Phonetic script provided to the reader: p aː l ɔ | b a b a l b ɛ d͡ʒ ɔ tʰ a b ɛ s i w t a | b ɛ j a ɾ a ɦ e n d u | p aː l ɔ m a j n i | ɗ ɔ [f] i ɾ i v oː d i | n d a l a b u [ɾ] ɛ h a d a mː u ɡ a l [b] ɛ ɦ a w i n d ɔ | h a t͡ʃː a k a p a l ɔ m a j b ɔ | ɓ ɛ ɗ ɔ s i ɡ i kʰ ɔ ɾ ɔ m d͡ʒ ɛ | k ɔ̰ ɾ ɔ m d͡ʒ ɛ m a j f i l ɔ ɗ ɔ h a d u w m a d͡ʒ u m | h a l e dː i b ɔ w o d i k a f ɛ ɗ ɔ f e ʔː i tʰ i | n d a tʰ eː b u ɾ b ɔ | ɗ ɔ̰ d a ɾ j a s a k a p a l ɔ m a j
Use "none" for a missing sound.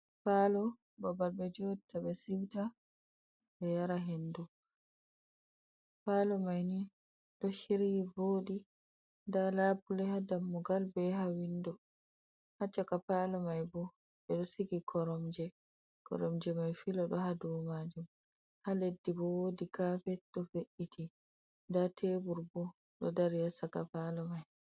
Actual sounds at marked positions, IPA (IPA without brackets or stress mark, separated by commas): ʃ, l, b